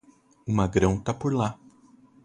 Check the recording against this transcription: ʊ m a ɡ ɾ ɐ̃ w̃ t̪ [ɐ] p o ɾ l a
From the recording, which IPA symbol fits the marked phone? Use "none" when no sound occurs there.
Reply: a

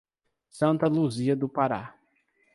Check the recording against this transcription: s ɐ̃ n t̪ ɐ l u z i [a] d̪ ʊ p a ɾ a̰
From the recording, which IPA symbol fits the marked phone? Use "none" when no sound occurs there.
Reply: ɐ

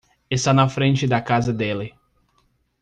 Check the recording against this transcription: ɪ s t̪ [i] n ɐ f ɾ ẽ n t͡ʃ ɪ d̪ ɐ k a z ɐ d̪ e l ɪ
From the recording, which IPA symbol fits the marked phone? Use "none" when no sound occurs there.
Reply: a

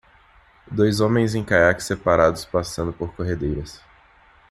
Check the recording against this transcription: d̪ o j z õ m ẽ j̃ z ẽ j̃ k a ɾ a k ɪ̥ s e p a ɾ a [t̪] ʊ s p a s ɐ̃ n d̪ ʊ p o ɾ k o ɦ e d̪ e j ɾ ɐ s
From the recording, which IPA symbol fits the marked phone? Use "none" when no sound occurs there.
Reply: d̪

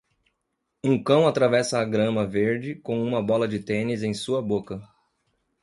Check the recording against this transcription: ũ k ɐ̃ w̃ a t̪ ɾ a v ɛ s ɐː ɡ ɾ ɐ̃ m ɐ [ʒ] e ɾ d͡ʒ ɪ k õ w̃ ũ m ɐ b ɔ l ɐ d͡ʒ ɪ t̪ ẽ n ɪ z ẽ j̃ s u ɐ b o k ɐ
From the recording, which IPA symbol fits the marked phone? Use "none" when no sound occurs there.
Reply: v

